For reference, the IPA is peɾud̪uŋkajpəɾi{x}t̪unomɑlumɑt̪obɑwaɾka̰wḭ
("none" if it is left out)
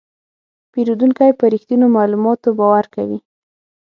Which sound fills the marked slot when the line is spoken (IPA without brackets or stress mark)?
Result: x